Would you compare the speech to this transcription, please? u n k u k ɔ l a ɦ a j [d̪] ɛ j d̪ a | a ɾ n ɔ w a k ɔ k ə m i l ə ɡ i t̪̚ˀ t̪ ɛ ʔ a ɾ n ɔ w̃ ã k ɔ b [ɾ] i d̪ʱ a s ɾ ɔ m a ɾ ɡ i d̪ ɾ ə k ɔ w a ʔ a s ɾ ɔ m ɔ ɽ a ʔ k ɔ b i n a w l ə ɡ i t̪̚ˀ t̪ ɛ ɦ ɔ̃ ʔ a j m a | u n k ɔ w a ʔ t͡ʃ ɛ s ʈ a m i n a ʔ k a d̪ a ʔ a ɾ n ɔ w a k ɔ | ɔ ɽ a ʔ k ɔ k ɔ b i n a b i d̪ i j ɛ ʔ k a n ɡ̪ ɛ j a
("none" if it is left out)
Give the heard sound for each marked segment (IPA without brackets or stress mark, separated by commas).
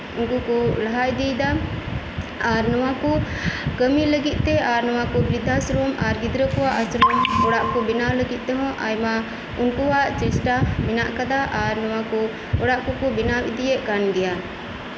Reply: d̪, ɾ